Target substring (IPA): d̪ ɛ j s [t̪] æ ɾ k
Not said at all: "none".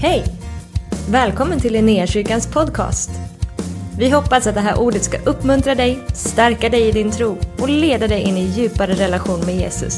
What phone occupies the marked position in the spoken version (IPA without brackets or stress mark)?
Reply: t̪